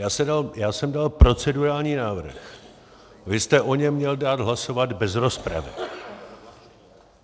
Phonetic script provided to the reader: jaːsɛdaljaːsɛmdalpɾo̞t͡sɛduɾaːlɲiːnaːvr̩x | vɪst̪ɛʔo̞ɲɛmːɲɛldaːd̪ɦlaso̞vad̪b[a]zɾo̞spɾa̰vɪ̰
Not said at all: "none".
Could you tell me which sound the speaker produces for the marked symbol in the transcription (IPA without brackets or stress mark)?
ɛ